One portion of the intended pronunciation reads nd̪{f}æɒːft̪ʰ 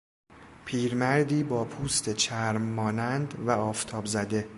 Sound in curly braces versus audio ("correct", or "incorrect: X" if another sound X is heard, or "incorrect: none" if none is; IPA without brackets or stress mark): incorrect: v